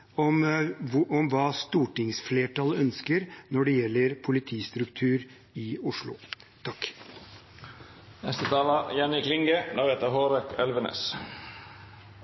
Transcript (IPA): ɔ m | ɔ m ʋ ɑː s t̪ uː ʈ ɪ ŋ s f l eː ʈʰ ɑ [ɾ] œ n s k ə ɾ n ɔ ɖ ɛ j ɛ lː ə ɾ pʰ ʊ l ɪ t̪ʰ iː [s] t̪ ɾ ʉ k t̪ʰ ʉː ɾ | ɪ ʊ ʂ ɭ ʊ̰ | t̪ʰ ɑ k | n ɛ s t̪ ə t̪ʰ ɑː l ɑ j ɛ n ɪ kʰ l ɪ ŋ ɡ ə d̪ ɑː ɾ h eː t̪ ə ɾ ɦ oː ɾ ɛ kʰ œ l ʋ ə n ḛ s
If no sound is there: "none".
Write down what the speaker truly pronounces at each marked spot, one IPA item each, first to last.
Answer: l, s

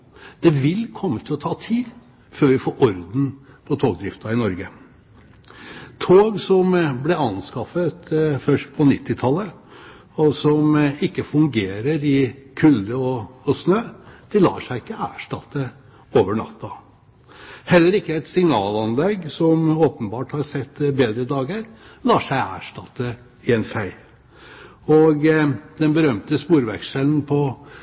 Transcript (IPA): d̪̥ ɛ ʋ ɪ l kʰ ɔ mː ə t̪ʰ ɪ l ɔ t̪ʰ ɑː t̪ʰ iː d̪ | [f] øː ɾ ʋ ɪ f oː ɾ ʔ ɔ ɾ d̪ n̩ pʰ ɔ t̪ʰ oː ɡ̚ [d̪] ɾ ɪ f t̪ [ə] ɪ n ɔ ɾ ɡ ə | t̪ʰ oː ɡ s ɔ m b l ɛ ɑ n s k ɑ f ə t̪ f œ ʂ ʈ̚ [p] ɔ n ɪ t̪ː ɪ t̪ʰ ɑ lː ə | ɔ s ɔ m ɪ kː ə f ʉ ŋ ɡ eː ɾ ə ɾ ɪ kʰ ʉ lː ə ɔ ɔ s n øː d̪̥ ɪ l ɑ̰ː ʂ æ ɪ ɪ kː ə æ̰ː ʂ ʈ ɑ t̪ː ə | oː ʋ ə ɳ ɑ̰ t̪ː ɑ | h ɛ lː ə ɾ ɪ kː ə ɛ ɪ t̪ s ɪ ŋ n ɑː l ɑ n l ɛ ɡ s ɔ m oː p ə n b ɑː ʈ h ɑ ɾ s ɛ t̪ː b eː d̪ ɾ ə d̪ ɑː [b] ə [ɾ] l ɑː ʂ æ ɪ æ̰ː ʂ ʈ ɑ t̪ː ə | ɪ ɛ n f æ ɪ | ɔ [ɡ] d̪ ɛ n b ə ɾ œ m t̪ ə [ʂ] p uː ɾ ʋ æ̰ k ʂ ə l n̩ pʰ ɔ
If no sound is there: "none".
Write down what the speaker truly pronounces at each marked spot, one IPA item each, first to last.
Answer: f, d̪, ɑ, pʰ, ɡ, ɾ, ɡ, s

